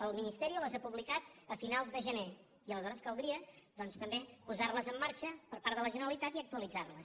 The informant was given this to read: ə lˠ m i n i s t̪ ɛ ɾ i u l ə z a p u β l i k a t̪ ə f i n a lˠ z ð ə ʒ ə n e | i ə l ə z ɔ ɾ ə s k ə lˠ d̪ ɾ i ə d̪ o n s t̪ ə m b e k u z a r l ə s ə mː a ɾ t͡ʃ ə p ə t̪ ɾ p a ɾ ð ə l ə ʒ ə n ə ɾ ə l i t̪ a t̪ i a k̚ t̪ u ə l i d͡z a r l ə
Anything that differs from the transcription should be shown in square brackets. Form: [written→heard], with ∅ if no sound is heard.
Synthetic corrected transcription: ə lˠ m i n i s t̪ ɛ ɾ i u l ə z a p u β l i k a t̪ ə f i n a lˠ z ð ə ʒ ə n e | i ə l ə z ɔ ɾ ə s k ə lˠ d̪ ɾ i ə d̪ [o→ɔ] n s t̪ ə m b e [k→p] u z a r l ə [s→z] ə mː a ɾ t͡ʃ ə p ə [t̪→∅] ɾ p a ɾ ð ə l ə ʒ ə n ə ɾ ə l i t̪ a t̪ i [a→ə] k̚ t̪ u ə l i d͡z a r l ə

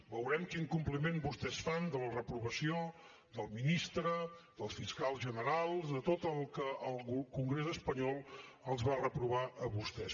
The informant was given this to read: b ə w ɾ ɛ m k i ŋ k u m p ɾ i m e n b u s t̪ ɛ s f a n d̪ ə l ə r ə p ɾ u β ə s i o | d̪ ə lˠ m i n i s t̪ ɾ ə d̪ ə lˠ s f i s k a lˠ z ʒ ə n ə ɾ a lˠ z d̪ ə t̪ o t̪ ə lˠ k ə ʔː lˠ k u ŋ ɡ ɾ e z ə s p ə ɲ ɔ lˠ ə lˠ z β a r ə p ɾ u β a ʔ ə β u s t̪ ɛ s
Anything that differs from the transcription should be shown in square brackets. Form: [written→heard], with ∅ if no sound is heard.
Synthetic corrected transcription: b ə w ɾ ɛ m k i ŋ k u m p [ɾ→l] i m e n b u s t̪ ɛ s f a n d̪ ə l ə r ə p ɾ u β ə s i o | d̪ ə lˠ m i n i s t̪ ɾ ə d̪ ə lˠ s f i s k a lˠ z ʒ ə n ə ɾ a lˠ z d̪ ə t̪ o t̪ ə lˠ k ə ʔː lˠ k u ŋ ɡ ɾ e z ə s p ə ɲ ɔ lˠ ə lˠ z β a r ə p ɾ u β a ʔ ə β u s t̪ ɛ s

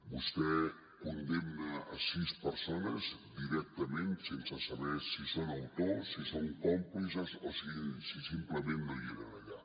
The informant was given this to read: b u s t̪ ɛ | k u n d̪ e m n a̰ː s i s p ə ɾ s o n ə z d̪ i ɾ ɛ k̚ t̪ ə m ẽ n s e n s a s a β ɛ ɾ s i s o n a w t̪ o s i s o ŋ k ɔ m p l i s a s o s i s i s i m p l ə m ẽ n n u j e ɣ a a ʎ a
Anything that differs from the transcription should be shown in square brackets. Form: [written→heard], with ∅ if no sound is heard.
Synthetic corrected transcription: b u s t̪ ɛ | k u n d̪ e m n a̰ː s i s p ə ɾ s o n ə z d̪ i ɾ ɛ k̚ t̪ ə m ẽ n s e n s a s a β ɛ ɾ s i s o n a w t̪ o s i s o ŋ k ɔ m p l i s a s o s i s i s i m p l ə m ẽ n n [u→o] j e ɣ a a ʎ a

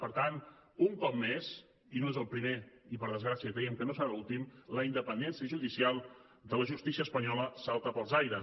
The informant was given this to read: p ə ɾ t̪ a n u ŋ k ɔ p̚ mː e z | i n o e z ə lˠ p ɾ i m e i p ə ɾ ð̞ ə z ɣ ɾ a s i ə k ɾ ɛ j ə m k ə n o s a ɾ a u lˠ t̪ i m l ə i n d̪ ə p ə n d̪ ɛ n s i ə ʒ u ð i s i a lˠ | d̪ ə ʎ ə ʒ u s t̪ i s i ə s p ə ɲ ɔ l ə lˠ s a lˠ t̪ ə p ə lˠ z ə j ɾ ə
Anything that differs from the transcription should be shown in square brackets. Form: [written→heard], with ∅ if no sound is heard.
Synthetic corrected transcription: p ə ɾ t̪ a n u ŋ k ɔ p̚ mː e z | i n o e z ə lˠ p ɾ i m e i p ə ɾ ð̞ ə z ɣ ɾ a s i ə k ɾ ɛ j ə m k ə n o s [a→ə] ɾ a u lˠ t̪ i m l ə i n d̪ ə p ə n d̪ ɛ n s i ə ʒ u ð i s i a lˠ | d̪ ə [ʎ→l] ə ʒ u s t̪ i s i ə s p ə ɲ ɔ l ə [lˠ→∅] s a lˠ t̪ ə p ə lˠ z [ə→a] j ɾ ə

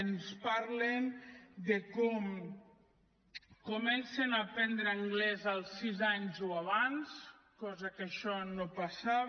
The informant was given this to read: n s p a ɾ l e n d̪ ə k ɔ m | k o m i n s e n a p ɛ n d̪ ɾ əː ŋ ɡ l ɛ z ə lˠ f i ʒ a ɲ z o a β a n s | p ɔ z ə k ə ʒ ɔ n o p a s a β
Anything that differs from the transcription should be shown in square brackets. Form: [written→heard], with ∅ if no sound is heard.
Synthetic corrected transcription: n s p a ɾ l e n d̪ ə k ɔ m | k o m [i→ɛ] n s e n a p ɛ n d̪ ɾ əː ŋ ɡ l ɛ z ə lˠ [f→s] i [ʒ→z] a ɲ z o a β a n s | [p→k] ɔ z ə k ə [ʒ→ʃ] ɔ n o p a s a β

